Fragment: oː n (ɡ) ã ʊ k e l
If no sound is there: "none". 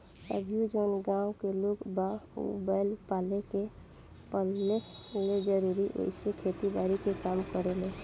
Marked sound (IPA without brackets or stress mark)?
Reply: ɡ